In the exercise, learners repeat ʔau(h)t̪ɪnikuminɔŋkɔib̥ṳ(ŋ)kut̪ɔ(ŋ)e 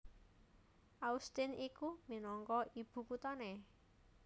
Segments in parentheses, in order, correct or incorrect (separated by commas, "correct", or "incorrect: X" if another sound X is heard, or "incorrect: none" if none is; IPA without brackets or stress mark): incorrect: s, incorrect: none, incorrect: n